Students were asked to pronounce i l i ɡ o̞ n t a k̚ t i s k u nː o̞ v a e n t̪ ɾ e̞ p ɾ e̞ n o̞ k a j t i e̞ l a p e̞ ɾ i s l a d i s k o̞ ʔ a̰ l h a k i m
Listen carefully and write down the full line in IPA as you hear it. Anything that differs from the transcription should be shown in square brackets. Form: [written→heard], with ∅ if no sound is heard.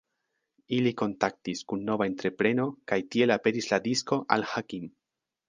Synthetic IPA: i l i [ɡ→k] o̞ n t a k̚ t i s k u nː o̞ v a e n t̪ ɾ e̞ p ɾ e̞ n o̞ k a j t i e̞ l a p e̞ ɾ i s l a d i s k o̞ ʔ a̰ l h a k i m